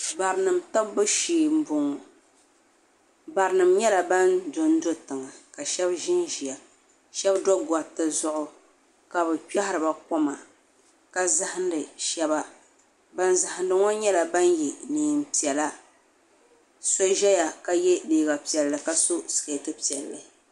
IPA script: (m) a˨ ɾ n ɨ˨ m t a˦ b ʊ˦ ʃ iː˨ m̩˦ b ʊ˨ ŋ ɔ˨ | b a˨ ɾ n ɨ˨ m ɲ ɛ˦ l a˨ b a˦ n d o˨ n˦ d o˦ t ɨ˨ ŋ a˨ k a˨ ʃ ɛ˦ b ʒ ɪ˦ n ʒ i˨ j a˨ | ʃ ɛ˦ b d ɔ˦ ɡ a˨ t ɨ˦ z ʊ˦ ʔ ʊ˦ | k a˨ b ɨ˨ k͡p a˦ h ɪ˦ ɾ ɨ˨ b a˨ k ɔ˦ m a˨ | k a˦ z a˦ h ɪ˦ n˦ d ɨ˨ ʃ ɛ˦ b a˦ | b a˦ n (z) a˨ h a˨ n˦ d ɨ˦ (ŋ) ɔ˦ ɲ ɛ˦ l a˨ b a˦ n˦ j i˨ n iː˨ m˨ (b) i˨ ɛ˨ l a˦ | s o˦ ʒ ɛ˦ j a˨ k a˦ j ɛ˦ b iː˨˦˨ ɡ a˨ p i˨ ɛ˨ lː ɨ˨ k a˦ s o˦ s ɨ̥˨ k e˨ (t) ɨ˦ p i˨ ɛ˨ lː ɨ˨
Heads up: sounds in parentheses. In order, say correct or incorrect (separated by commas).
incorrect, correct, correct, incorrect, correct